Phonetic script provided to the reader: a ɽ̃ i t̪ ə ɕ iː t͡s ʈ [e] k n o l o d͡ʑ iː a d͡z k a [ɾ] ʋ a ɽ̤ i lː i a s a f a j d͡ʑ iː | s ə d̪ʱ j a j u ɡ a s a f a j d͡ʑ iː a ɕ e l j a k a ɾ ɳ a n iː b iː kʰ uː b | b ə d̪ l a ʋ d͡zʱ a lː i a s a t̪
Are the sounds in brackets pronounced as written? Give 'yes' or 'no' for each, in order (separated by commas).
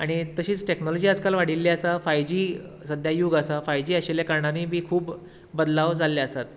yes, no